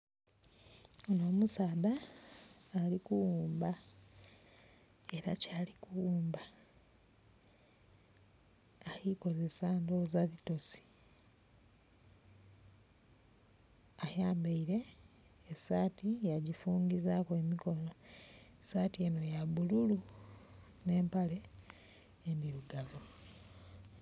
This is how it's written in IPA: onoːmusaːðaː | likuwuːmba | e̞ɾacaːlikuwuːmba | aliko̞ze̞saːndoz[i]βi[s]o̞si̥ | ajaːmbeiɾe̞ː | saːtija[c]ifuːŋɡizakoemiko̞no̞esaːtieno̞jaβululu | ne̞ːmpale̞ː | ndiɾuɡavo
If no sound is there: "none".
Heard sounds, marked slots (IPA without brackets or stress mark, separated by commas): a, t, ɟ